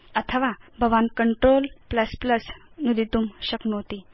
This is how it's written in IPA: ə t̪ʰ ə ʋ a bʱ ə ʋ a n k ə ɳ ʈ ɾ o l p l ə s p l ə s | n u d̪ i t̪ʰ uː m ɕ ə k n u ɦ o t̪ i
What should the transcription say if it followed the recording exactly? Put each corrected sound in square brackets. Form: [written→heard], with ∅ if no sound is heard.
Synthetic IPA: ə t̪ʰ ə ʋ a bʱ ə ʋ a n k ə ɳ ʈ ɾ o l p l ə s p l ə s | n u d̪ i [t̪ʰ→t̪] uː m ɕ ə k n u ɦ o t̪ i